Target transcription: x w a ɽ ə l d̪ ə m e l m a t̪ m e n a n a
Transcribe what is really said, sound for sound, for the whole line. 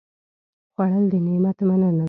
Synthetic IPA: x w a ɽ ə l d̪ ə n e m a t̪ m a n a n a